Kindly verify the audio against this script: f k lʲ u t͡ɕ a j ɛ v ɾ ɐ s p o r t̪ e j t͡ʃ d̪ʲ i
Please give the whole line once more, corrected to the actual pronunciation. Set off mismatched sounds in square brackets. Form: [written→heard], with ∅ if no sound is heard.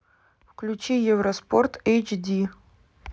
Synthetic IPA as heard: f k lʲ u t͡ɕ [a→i] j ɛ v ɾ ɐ s p o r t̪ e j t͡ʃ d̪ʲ i